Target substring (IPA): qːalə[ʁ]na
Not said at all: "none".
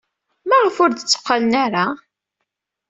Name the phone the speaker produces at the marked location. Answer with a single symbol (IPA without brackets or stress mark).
none